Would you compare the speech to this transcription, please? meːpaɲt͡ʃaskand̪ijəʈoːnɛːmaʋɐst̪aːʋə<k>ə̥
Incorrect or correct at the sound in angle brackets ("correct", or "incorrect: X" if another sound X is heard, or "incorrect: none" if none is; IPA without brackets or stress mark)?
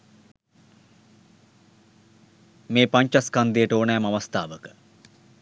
correct